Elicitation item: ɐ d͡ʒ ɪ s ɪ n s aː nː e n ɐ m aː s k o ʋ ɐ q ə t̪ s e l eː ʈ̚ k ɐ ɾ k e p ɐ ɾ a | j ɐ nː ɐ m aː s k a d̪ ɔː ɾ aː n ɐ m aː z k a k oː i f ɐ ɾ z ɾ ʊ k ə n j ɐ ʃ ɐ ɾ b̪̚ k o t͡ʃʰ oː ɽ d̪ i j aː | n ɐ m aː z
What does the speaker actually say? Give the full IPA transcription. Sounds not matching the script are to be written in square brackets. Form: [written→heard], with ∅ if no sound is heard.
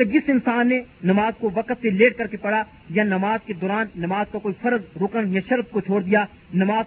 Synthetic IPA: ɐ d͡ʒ ɪ s ɪ n s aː nː e n ɐ m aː [s→z] k o ʋ ɐ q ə t̪ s e l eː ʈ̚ k ɐ ɾ k e p ɐ [ɾ→ɽ] a | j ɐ [nː→n] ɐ m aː [s→z] k [a→e] d̪ ɔː ɾ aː [n→nː] ɐ m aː z k a k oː i f ɐ ɾ z ɾ ʊ k ə n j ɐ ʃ ɐ ɾ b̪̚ k o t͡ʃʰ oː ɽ d̪ i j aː | n ɐ m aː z